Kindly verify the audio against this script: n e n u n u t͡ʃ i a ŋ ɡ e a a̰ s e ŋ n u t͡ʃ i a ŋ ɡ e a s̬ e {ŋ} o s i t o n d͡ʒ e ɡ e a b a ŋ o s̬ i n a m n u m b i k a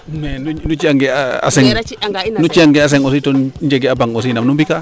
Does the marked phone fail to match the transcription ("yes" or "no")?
no